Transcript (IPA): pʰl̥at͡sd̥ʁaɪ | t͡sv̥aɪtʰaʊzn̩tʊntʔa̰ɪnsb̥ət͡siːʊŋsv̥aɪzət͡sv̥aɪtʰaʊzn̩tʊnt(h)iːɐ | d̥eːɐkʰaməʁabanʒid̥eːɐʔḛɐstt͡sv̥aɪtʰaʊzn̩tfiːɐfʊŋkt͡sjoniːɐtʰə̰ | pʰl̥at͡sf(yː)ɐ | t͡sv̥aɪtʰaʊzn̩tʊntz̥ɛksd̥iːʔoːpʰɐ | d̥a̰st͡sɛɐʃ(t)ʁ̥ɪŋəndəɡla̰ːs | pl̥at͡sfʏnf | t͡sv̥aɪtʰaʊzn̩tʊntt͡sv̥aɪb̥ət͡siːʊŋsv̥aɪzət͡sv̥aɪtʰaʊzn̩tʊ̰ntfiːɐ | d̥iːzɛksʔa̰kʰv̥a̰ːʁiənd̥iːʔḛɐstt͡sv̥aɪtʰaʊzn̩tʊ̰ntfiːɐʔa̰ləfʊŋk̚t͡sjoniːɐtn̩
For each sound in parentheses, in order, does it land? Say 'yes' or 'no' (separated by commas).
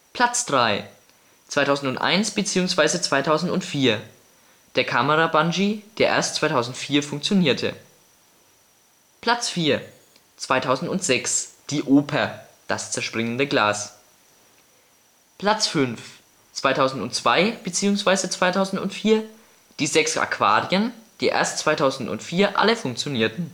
no, no, no